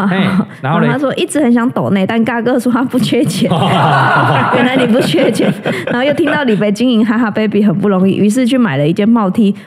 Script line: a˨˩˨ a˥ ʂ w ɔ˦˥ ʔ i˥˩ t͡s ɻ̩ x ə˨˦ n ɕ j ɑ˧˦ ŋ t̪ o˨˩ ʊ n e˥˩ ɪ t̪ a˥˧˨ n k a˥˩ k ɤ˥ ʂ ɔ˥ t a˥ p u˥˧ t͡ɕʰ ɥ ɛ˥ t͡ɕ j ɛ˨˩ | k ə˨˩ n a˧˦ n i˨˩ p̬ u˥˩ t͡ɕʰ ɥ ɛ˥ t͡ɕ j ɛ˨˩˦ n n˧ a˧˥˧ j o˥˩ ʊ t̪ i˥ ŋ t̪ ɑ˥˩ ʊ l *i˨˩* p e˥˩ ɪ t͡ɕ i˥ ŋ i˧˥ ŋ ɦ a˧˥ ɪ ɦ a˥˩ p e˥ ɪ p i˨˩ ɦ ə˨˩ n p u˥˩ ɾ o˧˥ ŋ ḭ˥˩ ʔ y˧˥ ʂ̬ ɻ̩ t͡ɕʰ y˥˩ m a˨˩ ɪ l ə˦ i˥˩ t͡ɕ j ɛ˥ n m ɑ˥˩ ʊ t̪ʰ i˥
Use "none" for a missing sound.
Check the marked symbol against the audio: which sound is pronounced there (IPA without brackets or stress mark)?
i˨˩